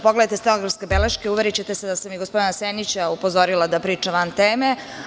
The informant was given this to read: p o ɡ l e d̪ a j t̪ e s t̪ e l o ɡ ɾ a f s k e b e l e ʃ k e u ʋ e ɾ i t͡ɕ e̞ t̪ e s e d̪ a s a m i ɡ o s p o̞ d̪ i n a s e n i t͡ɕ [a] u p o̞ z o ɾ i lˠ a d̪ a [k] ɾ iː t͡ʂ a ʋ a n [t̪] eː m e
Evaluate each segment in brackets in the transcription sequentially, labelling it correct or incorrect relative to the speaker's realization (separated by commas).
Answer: correct, incorrect, correct